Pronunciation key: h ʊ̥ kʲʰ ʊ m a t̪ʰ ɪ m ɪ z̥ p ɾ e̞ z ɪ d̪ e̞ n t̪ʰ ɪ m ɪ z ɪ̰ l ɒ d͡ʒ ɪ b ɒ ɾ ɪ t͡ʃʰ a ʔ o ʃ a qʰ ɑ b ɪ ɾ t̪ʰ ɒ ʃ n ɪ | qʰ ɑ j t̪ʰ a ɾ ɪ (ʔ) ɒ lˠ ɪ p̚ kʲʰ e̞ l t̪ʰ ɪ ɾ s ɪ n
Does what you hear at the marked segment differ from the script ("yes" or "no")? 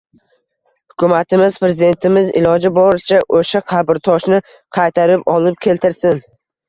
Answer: yes